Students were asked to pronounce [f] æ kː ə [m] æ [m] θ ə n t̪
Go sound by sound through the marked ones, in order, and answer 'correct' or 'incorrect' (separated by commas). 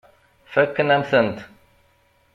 correct, incorrect, correct